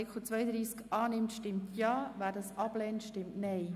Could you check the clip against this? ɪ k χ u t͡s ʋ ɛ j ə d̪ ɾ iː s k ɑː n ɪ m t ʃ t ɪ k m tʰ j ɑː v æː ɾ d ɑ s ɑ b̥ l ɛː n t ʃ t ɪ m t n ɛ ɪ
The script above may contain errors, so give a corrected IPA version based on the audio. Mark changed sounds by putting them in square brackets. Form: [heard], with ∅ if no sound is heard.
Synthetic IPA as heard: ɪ k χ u t͡s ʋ [œ] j ə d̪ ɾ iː s k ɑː n ɪ m t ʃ t ɪ [∅] m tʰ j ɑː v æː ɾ d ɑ s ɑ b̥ l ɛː n t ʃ t ɪ m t n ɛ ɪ